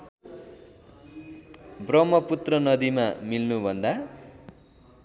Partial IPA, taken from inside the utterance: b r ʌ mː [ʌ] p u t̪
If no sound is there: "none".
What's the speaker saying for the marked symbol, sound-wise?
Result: ʌ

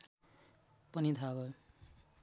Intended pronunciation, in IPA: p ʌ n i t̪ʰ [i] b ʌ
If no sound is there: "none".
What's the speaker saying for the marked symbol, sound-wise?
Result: a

